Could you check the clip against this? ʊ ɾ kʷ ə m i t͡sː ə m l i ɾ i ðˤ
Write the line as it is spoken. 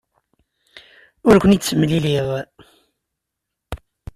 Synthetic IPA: ʊ ɾ kʷ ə n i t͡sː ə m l i l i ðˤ

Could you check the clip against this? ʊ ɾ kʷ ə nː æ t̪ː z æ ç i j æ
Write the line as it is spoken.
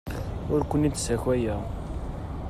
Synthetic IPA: ʊ ɾ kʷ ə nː i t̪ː s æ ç æ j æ

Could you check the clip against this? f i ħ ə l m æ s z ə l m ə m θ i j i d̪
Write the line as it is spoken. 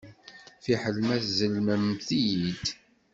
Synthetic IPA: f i ħ ə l m æ θ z ə l m ə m θ i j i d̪

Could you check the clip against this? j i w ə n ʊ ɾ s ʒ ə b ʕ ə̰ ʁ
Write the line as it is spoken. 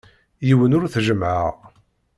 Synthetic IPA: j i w ə n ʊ ɾ θ ʒ ə m ʕ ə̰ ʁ

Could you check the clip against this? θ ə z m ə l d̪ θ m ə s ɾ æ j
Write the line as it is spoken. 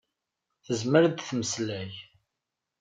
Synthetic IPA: θ ə z m ə ɾ d̪ θ m ə s l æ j

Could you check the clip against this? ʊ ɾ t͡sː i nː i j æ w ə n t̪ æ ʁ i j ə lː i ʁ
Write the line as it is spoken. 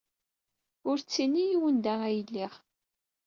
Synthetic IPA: ʊ ɾ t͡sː i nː i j i w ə n d̪ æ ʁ æ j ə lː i ʁ

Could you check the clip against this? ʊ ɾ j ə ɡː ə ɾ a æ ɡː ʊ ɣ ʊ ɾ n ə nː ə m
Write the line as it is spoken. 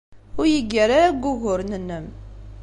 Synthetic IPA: ʊ ɾ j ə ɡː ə ɾ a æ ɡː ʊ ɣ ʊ ɾ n ə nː ə m

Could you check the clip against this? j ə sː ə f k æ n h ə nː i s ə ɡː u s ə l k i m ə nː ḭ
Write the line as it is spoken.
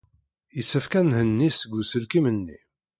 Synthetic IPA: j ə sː ə f k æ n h ə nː i s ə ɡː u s ə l k i m ə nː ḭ

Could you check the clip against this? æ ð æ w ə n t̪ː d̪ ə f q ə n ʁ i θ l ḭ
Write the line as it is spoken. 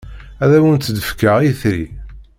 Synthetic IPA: æ ð æ w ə n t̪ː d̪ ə f k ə ʁ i θ ɾ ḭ

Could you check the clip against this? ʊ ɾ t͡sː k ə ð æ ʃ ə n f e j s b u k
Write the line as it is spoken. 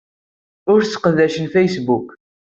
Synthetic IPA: ʊ ɾ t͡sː q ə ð æ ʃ ə n f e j s b u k

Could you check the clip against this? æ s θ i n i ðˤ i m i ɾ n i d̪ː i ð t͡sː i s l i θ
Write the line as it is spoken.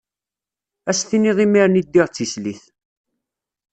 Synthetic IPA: æ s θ i n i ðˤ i m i ɾ n i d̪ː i ʁ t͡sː i s l i θ

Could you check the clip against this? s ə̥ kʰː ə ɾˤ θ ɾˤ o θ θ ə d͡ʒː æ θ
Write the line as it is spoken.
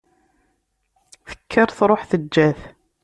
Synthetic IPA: θ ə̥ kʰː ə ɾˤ θ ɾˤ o ħ θ ə d͡ʒː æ θ

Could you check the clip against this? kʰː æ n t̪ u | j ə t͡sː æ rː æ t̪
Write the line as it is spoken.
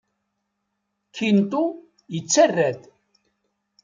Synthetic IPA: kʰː i n t̪ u | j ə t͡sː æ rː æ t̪

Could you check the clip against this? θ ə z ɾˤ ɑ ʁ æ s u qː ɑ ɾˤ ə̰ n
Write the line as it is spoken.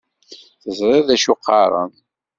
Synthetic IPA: θ ə z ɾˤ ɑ ð æ ʃ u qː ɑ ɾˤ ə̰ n

